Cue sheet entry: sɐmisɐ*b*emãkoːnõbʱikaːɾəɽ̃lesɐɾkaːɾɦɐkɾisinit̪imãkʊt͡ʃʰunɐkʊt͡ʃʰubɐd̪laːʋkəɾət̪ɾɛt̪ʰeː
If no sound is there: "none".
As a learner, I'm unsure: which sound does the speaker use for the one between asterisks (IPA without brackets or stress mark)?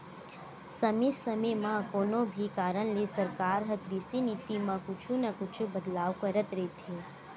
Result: m